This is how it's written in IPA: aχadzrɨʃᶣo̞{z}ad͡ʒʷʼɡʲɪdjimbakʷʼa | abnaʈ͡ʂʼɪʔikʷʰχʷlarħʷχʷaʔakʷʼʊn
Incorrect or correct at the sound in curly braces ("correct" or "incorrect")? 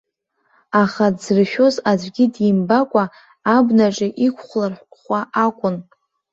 correct